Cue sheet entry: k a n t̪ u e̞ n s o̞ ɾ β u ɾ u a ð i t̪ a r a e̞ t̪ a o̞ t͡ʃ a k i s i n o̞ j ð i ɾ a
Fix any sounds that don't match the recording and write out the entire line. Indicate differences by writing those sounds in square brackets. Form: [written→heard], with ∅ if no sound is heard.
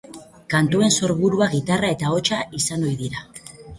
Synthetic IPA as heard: k a n t̪ u e̞ n s o̞ ɾ β u ɾ u a [ð→ɣ] i t̪ a r a e̞ t̪ a o̞ t͡ʃ a [k→∅] i s [i→a] n o̞ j ð i ɾ a